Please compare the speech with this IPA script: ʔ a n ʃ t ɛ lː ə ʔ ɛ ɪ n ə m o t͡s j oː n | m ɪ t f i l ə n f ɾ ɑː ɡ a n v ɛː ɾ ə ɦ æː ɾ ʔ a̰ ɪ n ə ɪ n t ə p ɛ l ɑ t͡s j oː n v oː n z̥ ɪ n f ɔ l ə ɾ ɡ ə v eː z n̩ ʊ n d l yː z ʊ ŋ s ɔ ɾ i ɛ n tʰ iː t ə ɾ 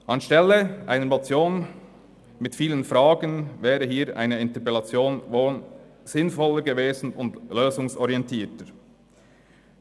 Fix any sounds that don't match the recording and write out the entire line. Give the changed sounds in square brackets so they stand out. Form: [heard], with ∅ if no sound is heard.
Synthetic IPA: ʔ [ɑ] n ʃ t ɛ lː ə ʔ [a] ɪ n ə m o t͡s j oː n | m ɪ t f [iː] l ə n f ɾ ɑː ɡ [ə] n v ɛː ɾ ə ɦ [iː] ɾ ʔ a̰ ɪ n ə ɪ n t ə p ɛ l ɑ t͡s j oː n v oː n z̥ ɪ n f ɔ l ə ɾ ɡ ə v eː z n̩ ʊ n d l [øː] z ʊ ŋ s ɔ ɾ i ɛ n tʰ iː t ə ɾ